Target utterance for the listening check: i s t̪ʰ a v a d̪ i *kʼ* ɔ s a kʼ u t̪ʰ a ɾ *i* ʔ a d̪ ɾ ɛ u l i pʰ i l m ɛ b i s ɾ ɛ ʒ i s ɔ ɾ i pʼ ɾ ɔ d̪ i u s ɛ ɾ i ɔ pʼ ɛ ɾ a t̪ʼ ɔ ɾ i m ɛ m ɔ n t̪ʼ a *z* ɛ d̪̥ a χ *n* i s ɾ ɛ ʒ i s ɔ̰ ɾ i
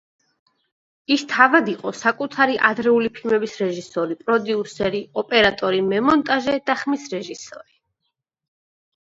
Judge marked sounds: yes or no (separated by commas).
no, yes, no, no